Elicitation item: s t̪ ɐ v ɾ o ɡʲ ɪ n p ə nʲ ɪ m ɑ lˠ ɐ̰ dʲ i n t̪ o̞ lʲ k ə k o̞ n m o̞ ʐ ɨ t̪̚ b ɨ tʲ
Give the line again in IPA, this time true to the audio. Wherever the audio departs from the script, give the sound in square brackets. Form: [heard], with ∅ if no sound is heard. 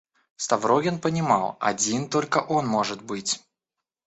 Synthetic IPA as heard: s t̪ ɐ v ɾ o ɡʲ ɪ n p ə nʲ ɪ m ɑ lˠ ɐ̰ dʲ i n t̪ o̞ lʲ k ə [ʔ] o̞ n m o̞ ʐ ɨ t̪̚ b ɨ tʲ